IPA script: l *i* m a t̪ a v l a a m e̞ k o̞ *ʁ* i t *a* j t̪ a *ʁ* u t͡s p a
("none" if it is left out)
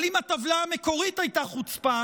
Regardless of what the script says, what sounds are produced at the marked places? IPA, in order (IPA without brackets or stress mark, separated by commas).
i, ʁ, a, χ